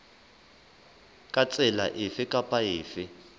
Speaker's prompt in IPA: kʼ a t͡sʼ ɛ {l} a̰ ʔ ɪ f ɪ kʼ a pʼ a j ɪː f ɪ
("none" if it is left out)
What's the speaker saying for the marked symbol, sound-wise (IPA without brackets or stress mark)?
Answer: l